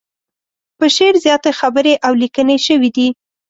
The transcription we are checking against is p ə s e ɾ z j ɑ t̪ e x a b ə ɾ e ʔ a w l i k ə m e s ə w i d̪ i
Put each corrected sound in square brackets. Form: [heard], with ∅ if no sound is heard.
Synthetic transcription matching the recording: p ə [ʃ] e ɾ z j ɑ t̪ e x a b ə ɾ e ʔ a w l i k ə [n] e [ʃ] ə w i d̪ i